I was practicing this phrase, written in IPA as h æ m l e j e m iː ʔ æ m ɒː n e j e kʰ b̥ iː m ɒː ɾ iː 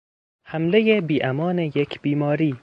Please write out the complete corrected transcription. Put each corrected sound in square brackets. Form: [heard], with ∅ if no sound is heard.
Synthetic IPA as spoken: h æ m l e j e [b] iː ʔ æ m ɒː n e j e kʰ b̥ iː m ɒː ɾ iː